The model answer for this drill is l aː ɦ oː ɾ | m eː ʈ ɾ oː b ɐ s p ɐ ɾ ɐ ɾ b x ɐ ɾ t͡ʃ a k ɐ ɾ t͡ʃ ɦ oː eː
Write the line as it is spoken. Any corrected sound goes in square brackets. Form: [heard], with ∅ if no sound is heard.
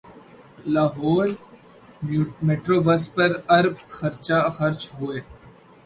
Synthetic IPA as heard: l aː ɦ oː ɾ | m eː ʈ ɾ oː b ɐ s p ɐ ɾ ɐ ɾ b x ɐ ɾ t͡ʃ a [x] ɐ ɾ t͡ʃ ɦ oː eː